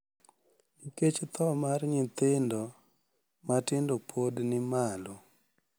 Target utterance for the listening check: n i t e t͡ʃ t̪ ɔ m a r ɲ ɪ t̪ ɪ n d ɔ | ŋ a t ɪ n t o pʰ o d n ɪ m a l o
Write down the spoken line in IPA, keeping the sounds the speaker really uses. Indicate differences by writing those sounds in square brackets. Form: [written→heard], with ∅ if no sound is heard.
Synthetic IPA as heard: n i [t→k] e t͡ʃ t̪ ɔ m a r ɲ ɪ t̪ ɪ n d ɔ | [ŋ→m] a t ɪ n [t→d] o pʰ o d n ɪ m a l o